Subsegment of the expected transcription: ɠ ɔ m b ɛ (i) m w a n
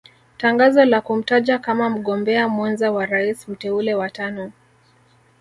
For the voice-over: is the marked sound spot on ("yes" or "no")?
no